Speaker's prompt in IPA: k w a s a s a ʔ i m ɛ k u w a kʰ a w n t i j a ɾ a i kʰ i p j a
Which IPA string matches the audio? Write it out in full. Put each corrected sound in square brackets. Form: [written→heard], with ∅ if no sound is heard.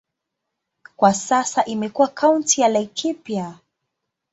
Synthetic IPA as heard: k w a s a s a ʔ i m ɛ k u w a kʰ a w n t i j a [ɾ→l] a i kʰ i p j a